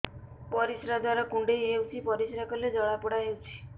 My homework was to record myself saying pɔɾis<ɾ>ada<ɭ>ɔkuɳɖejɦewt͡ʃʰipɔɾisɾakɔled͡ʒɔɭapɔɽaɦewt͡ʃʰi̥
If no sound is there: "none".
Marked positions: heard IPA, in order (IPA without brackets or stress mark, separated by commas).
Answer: ɾ, ɾ